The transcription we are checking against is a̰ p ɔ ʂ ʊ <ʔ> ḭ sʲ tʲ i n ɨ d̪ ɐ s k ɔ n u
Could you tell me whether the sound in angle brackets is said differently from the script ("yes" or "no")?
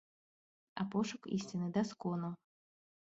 yes